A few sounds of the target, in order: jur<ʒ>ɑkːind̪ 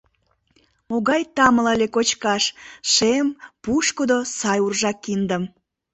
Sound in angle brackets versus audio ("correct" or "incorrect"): correct